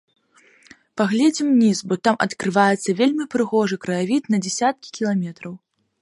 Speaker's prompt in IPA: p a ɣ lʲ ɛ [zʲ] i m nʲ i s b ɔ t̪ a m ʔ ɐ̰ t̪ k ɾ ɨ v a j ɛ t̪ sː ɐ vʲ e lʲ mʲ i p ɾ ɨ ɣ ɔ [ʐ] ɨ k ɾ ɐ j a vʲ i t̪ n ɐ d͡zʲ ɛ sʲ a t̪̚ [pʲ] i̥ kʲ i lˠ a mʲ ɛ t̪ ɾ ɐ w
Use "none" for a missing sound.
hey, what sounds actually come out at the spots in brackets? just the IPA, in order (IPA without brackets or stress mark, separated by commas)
d͡zʲ, ʐ, kʲ